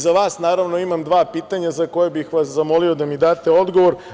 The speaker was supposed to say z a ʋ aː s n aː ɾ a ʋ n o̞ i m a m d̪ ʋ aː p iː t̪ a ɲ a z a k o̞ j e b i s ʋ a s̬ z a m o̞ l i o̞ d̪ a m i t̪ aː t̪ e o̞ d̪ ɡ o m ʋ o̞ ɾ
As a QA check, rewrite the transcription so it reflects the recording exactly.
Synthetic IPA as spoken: z a ʋ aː s n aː ɾ a ʋ n o̞ i m a m d̪ ʋ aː p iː t̪ a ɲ a z a k o̞ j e b i x ʋ a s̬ z a m o̞ l i o̞ d̪ a m i d̪ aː t̪ e o̞ d̪ ɡ o ʋ o̞ ɾ